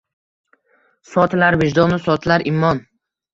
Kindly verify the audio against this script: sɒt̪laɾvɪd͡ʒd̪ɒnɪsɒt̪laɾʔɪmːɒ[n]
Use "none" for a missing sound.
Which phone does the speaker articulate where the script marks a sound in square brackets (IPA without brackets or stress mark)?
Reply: n